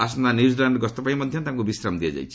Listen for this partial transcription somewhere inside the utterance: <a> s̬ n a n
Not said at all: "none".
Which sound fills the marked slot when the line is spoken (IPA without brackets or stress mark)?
a